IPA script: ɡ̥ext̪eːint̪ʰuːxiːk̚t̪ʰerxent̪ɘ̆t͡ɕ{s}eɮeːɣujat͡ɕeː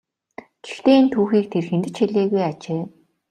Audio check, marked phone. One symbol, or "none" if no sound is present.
x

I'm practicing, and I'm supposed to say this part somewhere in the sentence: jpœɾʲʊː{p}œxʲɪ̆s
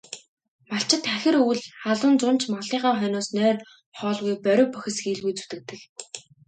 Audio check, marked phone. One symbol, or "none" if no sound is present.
p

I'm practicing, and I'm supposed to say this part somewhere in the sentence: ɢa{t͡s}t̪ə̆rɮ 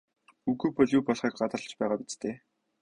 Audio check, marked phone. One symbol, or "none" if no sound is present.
none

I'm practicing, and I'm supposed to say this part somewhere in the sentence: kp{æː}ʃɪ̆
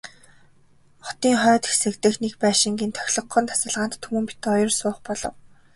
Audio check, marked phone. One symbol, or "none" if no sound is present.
æː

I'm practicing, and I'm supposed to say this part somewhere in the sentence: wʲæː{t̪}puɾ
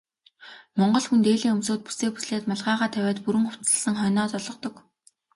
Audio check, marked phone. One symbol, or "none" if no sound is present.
t̪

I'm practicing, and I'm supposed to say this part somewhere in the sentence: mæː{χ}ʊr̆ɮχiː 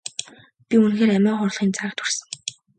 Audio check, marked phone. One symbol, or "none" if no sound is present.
χ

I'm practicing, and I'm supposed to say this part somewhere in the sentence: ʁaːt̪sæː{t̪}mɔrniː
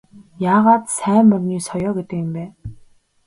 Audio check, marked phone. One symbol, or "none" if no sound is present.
none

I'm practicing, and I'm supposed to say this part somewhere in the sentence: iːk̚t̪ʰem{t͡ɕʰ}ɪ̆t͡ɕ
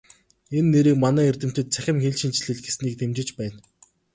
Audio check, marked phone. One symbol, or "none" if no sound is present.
t͡ɕ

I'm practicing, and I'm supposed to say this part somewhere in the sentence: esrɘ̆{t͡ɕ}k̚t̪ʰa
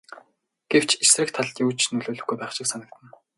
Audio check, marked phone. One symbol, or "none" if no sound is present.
none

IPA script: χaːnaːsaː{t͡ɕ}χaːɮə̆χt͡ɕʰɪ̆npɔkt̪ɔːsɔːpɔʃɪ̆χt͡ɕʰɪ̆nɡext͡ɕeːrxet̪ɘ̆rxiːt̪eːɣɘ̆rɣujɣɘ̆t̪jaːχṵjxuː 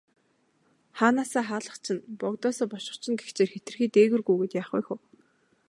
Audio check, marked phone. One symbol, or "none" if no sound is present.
none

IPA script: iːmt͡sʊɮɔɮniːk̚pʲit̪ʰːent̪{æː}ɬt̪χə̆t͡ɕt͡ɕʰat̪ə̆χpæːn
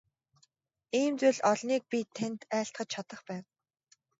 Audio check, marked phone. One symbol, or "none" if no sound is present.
æː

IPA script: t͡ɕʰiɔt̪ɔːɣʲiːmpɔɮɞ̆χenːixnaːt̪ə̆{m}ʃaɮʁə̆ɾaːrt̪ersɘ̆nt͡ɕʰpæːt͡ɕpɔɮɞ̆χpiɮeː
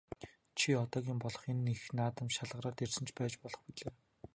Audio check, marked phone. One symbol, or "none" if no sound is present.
m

